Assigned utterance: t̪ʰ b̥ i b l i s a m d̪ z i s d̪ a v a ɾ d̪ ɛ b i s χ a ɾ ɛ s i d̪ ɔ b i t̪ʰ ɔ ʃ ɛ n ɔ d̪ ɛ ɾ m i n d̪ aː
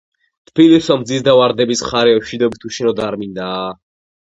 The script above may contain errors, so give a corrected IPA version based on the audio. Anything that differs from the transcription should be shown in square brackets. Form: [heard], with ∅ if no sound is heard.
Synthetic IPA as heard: t̪ʰ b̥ i [∅] l i s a m d̪ z i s d̪ a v a ɾ d̪ ɛ b i s χ a ɾ ɛ [ʃ] i d̪ ɔ b i t̪ʰ [u] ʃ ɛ n ɔ d̪ [a] ɾ m i n d̪ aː